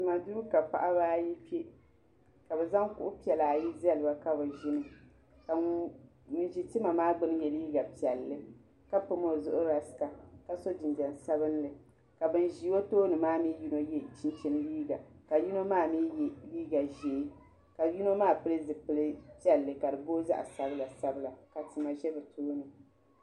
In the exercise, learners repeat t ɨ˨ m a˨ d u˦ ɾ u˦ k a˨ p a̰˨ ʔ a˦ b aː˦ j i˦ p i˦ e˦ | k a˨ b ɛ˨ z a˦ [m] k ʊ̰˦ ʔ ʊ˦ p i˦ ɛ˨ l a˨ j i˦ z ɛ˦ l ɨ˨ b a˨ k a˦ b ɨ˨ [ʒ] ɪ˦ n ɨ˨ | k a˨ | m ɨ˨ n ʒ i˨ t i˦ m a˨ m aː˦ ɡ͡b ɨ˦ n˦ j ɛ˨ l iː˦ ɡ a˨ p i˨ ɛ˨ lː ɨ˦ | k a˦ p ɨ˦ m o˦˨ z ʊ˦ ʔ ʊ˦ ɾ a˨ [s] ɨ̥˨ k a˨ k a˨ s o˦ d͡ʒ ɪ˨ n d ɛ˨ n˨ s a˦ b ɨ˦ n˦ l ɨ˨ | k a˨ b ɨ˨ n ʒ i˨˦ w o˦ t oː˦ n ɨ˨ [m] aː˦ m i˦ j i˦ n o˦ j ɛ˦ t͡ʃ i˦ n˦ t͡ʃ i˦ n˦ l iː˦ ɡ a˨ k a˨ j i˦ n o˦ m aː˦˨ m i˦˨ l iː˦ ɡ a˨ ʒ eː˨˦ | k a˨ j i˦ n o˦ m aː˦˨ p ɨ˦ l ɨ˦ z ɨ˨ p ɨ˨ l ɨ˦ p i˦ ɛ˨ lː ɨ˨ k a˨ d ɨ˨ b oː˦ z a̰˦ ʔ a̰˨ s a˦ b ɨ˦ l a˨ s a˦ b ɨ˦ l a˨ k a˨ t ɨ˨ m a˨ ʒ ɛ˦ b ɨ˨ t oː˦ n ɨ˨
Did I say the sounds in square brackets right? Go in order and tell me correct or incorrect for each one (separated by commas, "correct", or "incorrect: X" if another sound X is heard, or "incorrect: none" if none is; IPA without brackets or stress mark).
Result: incorrect: ŋ, correct, correct, correct